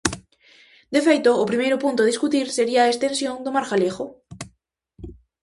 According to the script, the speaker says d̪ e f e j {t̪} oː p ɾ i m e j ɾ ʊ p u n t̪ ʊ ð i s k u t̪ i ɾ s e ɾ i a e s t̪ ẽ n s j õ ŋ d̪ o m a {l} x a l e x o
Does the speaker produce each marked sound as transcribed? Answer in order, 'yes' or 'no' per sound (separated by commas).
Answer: yes, no